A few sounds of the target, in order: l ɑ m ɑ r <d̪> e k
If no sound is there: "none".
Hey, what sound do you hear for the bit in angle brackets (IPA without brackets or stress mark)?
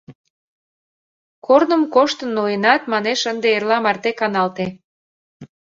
t̪